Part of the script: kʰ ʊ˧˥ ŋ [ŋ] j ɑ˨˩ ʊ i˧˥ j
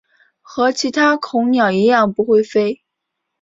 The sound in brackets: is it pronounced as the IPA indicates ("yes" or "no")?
no